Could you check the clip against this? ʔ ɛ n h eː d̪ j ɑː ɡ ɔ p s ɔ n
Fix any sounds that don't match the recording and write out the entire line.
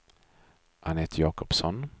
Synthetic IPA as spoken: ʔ a n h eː t̪ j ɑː k ɔ p s ɔ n